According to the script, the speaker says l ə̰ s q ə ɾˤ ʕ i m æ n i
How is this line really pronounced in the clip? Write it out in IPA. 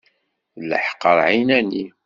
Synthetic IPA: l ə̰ ħ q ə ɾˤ ʕ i n æ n i